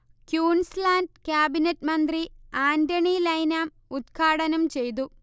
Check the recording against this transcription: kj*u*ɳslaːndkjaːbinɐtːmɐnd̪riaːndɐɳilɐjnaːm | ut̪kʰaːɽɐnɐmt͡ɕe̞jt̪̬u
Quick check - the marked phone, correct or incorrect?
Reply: incorrect